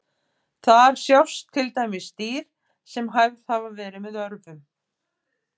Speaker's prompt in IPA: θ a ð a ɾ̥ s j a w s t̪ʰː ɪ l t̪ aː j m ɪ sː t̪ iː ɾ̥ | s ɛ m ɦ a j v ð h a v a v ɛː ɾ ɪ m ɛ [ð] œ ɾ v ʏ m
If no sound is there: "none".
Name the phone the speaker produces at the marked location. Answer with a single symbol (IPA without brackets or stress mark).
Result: ð